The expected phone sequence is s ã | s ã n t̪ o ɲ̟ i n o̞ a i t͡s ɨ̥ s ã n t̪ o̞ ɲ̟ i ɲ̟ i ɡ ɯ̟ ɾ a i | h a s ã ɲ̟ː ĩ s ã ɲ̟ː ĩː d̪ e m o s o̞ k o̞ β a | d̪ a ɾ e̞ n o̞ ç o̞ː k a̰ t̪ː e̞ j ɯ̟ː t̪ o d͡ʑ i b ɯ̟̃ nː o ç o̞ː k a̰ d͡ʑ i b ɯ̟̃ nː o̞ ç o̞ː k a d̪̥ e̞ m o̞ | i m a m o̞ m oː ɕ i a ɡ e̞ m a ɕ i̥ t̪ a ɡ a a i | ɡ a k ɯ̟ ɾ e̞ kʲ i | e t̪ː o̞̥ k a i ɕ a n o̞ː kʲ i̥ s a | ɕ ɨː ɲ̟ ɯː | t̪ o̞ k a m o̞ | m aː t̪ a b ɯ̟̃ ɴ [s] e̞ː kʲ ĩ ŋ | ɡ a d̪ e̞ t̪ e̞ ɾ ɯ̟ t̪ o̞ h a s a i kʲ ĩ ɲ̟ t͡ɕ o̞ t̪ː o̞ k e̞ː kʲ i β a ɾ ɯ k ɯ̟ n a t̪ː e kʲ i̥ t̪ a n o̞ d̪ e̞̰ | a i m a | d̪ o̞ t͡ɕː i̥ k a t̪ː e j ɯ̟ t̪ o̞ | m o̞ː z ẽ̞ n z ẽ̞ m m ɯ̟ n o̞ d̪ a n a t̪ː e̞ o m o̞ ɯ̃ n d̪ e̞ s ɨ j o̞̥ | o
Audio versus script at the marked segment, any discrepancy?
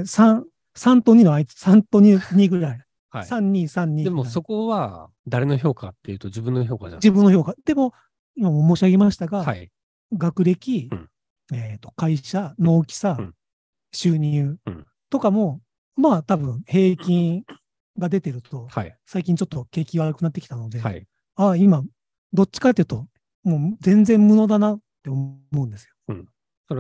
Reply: yes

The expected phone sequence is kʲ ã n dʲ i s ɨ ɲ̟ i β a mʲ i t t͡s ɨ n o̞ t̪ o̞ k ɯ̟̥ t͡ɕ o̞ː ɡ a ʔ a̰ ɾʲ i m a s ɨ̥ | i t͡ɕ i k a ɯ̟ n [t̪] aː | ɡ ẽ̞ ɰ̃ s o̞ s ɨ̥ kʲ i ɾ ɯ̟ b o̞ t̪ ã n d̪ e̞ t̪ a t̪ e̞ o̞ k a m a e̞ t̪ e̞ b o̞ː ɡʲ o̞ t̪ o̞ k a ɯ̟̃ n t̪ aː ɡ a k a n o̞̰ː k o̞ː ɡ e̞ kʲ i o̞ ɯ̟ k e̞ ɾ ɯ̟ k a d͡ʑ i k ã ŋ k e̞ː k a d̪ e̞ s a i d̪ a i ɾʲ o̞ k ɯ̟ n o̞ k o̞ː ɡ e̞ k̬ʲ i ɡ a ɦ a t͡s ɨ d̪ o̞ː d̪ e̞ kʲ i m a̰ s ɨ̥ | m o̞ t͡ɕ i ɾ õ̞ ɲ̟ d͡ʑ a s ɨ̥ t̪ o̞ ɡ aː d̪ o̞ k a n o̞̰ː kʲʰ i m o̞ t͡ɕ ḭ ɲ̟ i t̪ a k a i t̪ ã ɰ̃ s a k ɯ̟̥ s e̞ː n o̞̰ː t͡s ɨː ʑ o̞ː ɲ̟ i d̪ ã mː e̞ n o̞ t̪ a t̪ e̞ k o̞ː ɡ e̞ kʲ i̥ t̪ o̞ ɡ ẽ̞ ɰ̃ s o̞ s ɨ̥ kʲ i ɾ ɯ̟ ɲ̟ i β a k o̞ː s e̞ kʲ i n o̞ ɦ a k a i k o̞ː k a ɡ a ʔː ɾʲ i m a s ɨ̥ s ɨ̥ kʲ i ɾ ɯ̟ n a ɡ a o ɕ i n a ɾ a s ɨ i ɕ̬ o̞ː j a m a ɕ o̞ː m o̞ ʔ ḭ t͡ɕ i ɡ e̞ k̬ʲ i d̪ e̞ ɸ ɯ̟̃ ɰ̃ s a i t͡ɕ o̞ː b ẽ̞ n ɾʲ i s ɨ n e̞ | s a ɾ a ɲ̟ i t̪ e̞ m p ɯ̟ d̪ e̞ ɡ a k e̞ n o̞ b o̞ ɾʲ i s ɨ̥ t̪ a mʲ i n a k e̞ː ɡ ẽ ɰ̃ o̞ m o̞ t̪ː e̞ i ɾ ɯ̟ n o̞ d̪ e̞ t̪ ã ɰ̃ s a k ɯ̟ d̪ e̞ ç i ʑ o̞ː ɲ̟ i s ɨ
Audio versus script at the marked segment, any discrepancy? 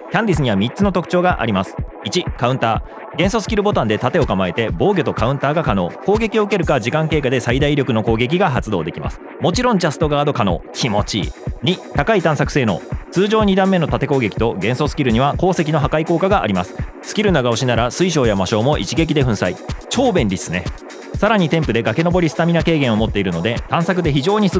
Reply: no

